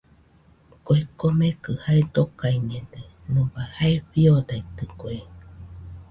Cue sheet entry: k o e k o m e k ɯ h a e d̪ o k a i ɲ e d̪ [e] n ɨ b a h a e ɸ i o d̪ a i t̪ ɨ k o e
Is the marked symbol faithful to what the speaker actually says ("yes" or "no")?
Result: yes